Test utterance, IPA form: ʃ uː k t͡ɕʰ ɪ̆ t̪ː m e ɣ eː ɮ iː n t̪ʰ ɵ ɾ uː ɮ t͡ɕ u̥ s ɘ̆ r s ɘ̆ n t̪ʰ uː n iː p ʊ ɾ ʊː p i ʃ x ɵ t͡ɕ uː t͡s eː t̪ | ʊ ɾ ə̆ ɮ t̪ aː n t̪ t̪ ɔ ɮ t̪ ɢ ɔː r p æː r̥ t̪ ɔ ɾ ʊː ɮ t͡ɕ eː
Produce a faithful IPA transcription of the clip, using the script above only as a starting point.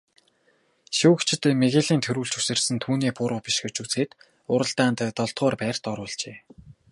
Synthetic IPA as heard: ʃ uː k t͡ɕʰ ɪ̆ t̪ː m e ɣ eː ɮ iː n t̪ʰ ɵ ɾ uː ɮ t͡ɕ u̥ s ɘ̆ r s ɘ̆ n t̪ʰ uː n iː p ʊ ɾ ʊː p i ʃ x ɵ t͡ɕ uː t͡s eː t̪ | ʊ ɾ ə̆ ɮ t̪ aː n t̪ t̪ ɔ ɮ t̪ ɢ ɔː r p æː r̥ t̪ ɔ ɾ ʊː ɮ t͡ɕ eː